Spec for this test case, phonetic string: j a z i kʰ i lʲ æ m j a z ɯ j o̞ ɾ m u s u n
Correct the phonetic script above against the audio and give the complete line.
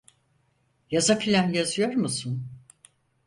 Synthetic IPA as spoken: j a z a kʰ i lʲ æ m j a z ɯ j o̞ ɾ m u s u n